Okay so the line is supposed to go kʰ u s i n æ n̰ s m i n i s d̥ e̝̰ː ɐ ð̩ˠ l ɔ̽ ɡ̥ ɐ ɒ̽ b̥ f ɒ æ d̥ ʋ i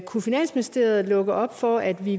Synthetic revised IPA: kʰ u f i n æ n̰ s m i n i s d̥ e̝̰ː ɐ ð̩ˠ l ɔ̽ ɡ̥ ɐ ɒ̽ b̥ f ɒ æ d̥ ʋ i